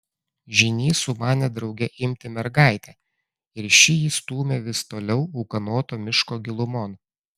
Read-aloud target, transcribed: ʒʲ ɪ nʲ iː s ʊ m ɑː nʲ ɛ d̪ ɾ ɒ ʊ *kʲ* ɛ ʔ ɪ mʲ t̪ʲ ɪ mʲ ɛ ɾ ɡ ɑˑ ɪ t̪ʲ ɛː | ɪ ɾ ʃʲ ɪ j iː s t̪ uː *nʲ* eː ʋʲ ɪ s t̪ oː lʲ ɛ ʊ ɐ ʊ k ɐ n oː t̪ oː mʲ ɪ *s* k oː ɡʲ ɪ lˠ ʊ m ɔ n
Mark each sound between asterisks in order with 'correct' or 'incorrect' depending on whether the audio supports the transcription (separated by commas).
incorrect, incorrect, incorrect